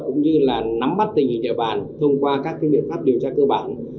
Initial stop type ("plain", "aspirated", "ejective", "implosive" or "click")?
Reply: plain